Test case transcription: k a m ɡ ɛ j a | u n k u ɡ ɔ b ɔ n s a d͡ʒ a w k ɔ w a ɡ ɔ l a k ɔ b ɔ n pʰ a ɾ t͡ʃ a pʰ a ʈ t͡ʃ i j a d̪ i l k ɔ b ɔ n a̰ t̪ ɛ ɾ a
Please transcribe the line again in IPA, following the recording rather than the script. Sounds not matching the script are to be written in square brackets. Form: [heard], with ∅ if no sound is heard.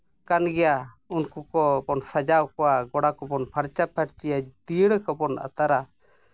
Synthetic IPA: k a [n] ɡ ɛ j a | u n k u [k] ɔ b ɔ n s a d͡ʒ a w k ɔ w a ɡ ɔ [ɽ] a k ɔ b ɔ n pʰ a ɾ t͡ʃ a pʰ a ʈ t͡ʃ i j a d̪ i [ɽ] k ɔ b ɔ n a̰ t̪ [a] ɾ a